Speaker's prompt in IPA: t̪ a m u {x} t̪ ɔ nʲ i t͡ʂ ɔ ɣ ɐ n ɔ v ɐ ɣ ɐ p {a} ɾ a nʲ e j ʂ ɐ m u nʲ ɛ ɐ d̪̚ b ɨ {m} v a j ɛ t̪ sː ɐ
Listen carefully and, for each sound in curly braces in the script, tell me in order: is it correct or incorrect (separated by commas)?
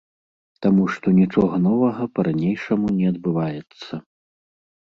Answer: incorrect, incorrect, incorrect